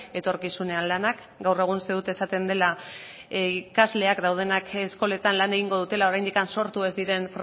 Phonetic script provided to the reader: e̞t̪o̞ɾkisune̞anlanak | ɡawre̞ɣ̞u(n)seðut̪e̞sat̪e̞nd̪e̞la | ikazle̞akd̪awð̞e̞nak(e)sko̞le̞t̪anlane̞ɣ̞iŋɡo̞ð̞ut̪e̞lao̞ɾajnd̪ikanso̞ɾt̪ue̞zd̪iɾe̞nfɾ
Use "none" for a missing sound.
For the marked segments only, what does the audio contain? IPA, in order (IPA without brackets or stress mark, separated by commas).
n, e